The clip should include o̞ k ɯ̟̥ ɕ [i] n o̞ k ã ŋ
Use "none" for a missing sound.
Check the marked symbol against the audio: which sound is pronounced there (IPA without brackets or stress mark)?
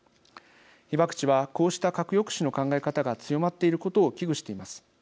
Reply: i